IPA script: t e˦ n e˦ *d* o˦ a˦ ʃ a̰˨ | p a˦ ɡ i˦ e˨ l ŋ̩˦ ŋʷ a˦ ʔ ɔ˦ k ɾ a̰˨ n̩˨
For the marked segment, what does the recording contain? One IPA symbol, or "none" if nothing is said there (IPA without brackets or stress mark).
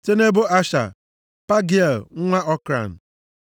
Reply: b